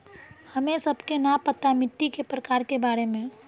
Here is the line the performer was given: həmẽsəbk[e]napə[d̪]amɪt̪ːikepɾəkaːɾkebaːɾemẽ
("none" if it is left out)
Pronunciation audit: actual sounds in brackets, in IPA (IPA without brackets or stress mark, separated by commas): e, t̪